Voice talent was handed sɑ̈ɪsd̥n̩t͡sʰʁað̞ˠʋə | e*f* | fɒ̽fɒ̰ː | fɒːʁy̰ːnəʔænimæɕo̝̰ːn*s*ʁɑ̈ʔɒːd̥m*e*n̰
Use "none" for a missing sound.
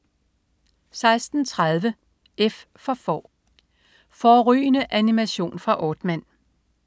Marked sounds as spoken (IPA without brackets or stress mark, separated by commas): f, f, æ